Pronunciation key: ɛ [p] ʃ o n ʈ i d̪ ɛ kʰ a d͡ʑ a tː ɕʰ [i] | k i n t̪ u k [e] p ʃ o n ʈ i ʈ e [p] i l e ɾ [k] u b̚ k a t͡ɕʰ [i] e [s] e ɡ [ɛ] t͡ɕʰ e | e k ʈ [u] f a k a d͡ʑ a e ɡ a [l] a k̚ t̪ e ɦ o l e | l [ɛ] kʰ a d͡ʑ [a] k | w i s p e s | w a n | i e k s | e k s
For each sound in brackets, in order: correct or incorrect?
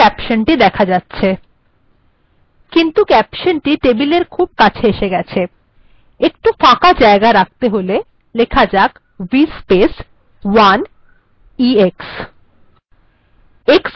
correct, incorrect, incorrect, incorrect, incorrect, incorrect, incorrect, correct, correct, incorrect, incorrect, correct

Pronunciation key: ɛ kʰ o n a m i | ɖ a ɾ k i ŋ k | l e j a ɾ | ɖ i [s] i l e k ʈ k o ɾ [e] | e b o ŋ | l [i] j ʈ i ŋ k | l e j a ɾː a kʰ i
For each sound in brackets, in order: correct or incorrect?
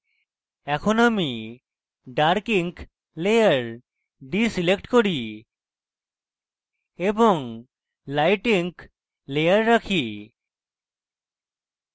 correct, incorrect, incorrect

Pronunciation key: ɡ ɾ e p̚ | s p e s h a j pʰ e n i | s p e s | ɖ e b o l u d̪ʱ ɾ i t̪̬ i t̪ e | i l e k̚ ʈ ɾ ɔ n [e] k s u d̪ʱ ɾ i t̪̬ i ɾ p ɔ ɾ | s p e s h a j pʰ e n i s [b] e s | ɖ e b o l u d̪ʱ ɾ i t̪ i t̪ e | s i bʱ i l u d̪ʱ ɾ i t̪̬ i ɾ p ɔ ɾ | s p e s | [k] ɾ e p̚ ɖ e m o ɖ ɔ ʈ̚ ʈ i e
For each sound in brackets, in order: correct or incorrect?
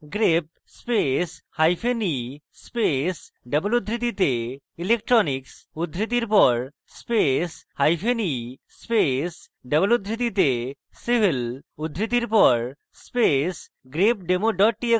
incorrect, incorrect, incorrect

